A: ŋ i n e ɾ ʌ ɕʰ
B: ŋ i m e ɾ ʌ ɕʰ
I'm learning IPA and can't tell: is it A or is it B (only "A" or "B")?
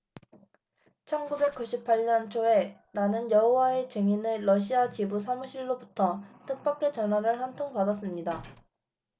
A